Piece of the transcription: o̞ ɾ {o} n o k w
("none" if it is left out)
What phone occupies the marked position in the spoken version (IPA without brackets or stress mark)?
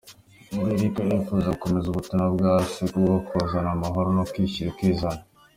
o